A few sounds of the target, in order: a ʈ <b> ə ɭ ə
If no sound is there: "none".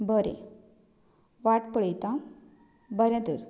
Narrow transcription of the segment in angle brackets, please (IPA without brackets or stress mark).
p